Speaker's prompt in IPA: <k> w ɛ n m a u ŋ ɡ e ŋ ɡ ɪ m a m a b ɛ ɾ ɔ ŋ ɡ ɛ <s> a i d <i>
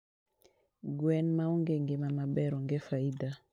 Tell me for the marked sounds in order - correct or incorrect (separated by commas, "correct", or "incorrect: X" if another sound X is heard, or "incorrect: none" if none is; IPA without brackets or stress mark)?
incorrect: ɡ, incorrect: f, incorrect: a